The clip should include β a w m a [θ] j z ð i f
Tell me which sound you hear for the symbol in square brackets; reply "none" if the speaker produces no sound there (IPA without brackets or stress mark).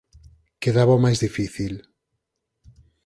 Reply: none